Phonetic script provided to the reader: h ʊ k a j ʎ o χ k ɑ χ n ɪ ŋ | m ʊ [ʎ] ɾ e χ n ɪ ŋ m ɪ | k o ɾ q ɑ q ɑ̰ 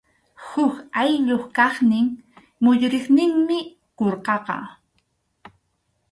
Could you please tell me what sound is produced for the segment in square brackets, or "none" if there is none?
ʎ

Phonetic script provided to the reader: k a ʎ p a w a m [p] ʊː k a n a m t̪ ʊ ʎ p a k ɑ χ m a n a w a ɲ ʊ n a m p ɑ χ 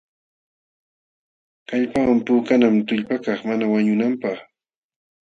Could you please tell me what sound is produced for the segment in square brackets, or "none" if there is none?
p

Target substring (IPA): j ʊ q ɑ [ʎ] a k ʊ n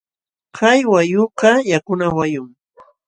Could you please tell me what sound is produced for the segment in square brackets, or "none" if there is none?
j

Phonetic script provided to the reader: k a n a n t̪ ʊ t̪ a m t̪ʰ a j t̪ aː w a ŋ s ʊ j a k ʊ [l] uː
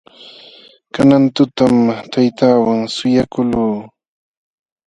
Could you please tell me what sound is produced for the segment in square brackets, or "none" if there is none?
l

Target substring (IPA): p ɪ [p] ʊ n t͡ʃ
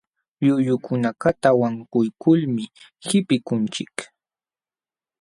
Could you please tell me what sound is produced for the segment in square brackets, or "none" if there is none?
k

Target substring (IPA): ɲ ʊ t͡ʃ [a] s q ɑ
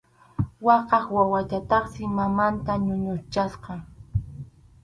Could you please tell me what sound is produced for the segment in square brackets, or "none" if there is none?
a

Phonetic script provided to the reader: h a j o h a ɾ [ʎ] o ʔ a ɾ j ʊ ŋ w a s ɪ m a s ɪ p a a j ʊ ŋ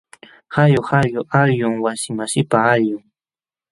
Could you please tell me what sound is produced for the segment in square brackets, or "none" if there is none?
j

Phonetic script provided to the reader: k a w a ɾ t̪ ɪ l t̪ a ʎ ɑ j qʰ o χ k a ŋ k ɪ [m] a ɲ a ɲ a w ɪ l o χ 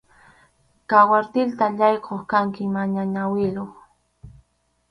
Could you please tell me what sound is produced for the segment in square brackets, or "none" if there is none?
m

